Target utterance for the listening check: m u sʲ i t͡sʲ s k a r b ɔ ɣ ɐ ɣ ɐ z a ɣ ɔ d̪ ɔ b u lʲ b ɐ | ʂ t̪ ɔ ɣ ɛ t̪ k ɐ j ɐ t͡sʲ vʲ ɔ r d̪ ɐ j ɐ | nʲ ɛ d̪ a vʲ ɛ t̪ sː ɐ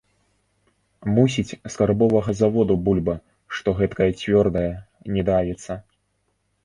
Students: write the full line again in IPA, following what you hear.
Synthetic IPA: m u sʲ i t͡sʲ s k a r b ɔ v ɐ ɣ ɐ z a v ɔ d̪ u b u lʲ b ɐ | ʂ t̪ ɔ ɣ ɛ t̪ k ɐ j ɐ t͡sʲ vʲ ɔ r d̪ ɐ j ɐ | nʲ ɛ d̪ a vʲ ɛ t̪ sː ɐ